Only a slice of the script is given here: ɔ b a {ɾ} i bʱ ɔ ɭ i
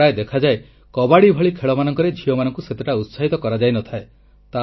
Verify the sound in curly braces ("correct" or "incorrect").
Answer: incorrect